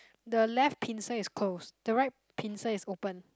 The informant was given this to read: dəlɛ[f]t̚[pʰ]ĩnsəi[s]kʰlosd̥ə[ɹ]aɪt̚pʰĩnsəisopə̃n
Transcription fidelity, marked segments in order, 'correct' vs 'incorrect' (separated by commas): correct, correct, correct, correct